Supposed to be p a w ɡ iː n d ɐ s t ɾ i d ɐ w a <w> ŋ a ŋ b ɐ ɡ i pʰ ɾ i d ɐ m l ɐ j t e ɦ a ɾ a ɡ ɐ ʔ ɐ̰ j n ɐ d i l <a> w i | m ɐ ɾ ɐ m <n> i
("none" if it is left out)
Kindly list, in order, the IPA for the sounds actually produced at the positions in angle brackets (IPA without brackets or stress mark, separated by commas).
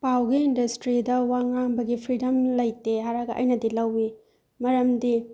none, ɐ, d